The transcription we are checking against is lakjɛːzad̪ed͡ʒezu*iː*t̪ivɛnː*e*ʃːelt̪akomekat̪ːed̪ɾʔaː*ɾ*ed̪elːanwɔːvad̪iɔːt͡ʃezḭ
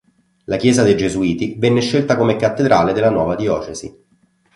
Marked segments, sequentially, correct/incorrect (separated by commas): correct, correct, incorrect